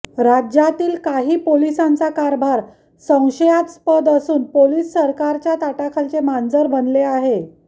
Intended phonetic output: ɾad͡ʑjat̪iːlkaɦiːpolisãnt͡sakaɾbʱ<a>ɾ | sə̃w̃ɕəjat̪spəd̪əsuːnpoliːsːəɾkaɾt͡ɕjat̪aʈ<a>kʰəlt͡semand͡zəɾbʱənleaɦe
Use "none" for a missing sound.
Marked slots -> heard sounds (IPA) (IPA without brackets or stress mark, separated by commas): a, a